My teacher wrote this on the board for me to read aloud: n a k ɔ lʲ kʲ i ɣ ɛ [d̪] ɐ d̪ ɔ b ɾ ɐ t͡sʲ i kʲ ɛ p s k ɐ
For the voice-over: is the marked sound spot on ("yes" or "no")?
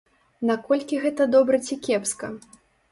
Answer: no